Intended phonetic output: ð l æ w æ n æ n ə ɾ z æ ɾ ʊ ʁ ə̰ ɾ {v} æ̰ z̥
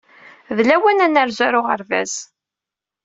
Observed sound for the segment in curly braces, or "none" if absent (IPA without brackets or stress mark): v